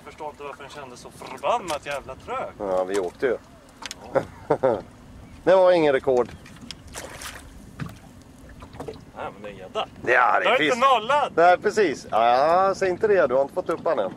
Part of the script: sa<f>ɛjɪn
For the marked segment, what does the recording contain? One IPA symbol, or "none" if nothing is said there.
s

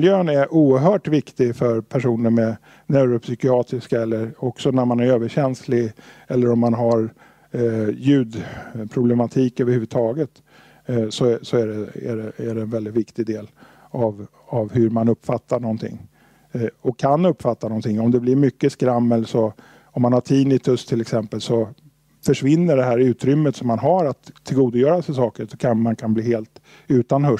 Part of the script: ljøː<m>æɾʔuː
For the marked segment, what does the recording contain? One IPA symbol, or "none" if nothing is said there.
n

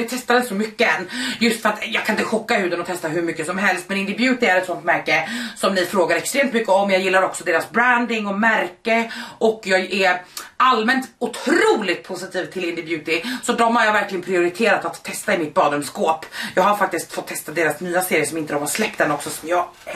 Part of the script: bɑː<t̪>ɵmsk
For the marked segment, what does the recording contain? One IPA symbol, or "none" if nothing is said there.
d̪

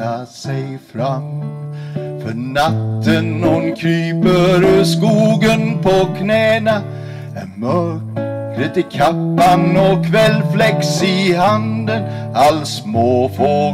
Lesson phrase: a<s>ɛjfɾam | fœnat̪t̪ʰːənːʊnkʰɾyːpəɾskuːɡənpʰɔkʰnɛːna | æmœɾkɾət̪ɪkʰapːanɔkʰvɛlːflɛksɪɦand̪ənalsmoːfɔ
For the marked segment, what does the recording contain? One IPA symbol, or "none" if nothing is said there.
s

